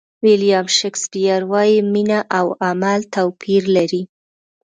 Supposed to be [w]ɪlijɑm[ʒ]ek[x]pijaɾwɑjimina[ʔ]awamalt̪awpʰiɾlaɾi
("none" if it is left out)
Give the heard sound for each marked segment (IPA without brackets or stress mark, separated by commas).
w, ʃ, s, ʔ